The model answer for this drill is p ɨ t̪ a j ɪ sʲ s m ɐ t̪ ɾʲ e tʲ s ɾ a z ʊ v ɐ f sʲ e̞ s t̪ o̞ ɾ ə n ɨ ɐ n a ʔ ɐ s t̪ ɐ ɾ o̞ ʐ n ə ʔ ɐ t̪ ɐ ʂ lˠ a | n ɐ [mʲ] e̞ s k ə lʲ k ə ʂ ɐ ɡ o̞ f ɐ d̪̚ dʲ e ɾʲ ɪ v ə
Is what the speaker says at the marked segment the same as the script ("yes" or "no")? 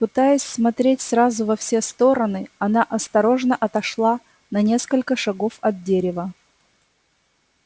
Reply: no